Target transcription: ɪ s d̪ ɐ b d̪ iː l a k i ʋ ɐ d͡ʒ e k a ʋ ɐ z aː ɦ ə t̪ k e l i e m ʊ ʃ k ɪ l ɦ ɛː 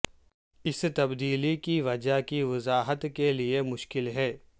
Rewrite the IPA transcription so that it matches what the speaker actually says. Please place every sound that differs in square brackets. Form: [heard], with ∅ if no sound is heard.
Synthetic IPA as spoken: ɪ s [t̪] ɐ b d̪ iː l [i] k i ʋ ɐ d͡ʒ [a] k [i] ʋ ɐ z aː ɦ ə t̪ k e l i e m ʊ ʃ k ɪ l ɦ ɛː